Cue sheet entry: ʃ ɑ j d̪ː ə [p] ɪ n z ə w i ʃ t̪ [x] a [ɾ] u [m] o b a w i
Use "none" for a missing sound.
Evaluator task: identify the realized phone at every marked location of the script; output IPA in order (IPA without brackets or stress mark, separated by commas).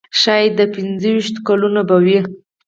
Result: p, k, l, n